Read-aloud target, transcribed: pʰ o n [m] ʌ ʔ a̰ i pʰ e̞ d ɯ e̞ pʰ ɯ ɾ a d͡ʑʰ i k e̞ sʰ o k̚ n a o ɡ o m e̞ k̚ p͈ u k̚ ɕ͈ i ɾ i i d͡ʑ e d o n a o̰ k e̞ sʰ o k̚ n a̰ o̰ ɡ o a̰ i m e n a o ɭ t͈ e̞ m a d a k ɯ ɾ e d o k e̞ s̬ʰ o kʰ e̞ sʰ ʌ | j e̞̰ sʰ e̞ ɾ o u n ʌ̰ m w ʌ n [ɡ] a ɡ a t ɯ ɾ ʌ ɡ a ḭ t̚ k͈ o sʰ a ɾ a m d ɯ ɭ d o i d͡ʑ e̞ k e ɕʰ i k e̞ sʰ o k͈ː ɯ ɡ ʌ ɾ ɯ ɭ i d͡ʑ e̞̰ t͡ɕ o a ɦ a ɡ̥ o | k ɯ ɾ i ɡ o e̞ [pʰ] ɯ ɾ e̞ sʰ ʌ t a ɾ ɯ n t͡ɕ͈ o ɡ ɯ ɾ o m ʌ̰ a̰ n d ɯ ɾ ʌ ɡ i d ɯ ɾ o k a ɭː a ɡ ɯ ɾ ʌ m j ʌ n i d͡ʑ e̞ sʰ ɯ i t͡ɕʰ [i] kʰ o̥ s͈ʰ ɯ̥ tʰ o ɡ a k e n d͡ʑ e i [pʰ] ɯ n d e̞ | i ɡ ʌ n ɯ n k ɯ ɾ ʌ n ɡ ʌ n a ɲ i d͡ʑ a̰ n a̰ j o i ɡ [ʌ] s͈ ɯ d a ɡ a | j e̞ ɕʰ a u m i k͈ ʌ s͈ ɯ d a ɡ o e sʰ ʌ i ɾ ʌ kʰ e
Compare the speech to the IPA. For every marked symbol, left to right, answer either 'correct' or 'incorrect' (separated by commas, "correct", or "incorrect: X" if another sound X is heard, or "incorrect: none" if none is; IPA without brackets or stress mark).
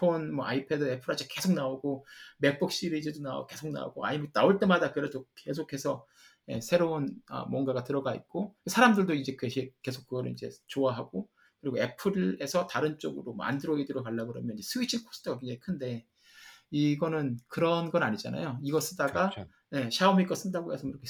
correct, correct, correct, correct, incorrect: kʰ, correct